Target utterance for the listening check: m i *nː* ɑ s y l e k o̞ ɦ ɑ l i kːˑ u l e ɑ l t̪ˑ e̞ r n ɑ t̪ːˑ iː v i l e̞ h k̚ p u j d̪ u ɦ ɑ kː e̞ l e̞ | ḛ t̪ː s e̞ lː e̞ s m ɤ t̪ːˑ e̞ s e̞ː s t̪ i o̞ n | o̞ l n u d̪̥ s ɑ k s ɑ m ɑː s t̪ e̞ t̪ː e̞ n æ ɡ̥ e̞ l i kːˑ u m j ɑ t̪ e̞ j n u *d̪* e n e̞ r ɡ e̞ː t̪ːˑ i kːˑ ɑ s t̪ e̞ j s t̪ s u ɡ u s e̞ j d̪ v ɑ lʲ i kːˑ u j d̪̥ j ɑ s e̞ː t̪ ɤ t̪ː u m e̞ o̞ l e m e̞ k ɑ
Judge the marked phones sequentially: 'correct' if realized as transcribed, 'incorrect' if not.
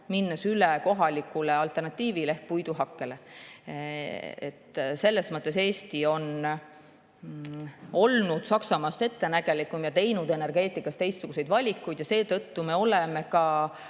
correct, correct

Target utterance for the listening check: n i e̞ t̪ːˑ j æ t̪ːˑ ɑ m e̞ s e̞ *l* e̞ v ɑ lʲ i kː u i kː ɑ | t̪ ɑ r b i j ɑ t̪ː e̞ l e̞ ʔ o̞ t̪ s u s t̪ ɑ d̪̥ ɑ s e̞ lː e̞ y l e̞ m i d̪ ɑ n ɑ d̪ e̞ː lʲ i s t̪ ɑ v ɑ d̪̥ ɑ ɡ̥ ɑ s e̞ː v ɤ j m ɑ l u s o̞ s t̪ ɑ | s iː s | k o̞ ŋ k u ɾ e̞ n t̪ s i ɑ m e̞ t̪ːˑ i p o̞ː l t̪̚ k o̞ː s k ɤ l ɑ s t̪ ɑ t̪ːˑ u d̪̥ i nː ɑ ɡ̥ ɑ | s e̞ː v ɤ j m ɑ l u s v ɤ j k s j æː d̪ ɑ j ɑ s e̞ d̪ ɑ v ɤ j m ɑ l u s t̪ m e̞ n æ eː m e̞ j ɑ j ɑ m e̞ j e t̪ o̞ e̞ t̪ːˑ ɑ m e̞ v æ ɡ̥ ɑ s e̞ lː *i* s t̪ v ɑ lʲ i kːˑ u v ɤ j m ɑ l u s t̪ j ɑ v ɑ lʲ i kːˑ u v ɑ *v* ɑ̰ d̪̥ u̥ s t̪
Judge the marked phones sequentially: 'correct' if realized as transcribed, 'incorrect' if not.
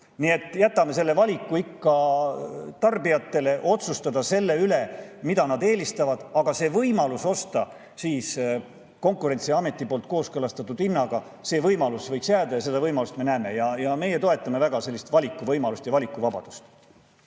incorrect: lː, correct, incorrect: b

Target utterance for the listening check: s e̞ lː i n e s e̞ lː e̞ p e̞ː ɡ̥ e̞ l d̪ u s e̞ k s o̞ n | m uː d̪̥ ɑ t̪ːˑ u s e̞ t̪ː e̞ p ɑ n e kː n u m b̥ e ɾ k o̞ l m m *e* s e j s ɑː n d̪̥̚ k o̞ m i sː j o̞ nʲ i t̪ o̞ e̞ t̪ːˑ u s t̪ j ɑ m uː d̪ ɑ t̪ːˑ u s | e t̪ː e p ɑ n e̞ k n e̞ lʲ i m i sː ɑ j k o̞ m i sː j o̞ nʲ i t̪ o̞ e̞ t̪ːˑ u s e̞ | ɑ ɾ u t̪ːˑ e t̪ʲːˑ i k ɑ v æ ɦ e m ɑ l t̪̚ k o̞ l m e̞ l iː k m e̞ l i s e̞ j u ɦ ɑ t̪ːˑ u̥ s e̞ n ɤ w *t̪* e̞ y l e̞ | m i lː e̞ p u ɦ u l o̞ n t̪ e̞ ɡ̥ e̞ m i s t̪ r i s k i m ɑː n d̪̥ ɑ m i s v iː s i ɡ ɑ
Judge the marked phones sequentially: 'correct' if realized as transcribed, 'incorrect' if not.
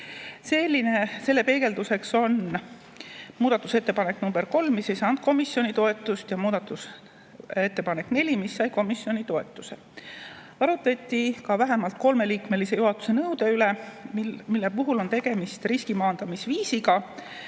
incorrect: i, incorrect: d̪

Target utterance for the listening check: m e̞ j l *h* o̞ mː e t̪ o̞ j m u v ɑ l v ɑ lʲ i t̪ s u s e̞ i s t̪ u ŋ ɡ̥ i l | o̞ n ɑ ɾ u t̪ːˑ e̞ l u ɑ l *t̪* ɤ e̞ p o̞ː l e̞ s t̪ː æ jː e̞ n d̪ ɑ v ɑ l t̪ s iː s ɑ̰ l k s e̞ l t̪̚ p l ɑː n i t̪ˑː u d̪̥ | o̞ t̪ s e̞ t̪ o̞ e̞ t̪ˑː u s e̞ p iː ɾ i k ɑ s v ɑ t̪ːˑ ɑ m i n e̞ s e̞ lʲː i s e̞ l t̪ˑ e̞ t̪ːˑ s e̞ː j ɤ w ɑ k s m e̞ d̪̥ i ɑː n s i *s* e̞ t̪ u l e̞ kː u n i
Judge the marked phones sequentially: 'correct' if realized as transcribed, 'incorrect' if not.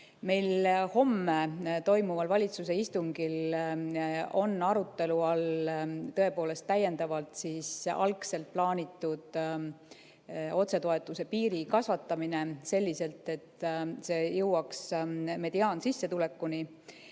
correct, correct, incorrect: sː

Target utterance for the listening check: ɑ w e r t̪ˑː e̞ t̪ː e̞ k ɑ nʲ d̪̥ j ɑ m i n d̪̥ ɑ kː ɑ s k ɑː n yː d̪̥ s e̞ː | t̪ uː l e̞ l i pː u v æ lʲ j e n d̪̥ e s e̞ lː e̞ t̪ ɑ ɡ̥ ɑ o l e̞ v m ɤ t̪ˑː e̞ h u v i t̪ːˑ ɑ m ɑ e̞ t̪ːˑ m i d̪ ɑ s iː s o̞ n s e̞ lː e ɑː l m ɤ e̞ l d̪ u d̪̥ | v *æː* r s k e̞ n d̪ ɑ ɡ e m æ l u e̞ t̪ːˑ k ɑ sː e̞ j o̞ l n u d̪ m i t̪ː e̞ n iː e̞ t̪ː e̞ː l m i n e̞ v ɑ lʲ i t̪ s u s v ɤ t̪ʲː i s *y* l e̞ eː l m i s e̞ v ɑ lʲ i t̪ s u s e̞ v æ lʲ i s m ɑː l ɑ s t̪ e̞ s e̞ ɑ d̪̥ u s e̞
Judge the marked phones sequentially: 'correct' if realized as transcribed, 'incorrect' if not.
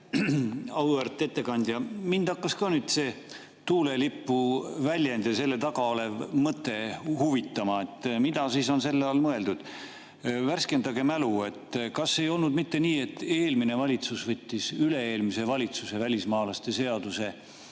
incorrect: æ, correct

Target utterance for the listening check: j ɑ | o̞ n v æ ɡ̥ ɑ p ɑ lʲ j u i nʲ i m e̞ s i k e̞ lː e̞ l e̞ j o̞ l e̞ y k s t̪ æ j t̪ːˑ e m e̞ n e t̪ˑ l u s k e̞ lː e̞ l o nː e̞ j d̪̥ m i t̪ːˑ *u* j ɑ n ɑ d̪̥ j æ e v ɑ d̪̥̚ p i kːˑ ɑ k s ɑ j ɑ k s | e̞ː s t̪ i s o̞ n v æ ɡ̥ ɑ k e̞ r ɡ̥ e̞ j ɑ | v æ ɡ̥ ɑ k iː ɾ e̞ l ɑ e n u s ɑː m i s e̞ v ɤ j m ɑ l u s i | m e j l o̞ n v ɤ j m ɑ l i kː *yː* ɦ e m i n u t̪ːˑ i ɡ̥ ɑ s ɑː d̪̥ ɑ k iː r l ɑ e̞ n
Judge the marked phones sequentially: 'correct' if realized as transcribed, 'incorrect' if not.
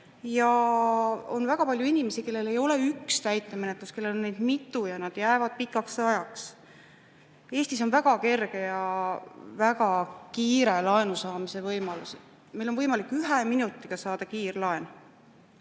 correct, incorrect: y

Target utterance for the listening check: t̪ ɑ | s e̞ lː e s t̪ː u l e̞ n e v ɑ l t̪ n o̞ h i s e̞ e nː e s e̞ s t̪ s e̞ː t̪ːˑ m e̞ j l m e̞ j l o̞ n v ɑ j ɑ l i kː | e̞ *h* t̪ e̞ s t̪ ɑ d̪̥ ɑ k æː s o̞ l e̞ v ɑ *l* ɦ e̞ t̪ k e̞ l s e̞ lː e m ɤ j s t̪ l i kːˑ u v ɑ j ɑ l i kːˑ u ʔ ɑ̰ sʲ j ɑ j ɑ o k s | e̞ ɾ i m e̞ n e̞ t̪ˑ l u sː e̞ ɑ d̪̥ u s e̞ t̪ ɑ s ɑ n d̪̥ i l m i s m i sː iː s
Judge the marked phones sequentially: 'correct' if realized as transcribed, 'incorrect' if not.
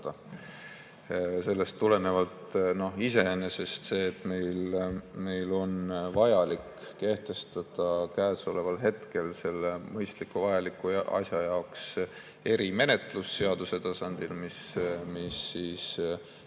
correct, correct

